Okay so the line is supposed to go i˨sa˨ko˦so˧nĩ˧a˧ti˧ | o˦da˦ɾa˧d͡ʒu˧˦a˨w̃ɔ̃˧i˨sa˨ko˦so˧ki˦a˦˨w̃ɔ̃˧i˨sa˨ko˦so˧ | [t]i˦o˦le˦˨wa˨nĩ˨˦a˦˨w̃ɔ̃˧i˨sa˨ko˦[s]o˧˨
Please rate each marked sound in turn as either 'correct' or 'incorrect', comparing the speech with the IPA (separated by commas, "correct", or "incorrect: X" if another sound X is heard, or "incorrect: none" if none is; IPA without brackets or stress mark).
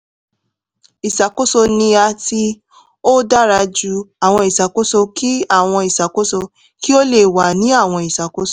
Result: incorrect: k, correct